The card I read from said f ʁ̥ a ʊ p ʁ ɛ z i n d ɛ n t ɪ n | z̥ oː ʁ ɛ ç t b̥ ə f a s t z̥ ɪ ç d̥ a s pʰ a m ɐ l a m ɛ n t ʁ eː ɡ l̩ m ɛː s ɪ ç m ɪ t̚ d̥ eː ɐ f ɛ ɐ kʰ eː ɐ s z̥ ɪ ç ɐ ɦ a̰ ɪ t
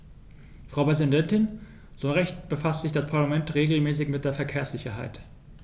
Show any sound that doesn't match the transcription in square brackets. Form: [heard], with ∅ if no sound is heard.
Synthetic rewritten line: f ʁ̥ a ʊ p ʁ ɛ z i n d ɛ n t ɪ n | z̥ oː ʁ ɛ ç t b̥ ə f a s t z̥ ɪ ç d̥ a s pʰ a [∅] ɐ l a m ɛ n t ʁ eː ɡ l̩ m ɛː s ɪ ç m ɪ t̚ d̥ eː ɐ f ɛ ɐ kʰ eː ɐ s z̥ ɪ ç ɐ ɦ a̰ ɪ t